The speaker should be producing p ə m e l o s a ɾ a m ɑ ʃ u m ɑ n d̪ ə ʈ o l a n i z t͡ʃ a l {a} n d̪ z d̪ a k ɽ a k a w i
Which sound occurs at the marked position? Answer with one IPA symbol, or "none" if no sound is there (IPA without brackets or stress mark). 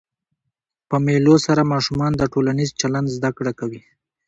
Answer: a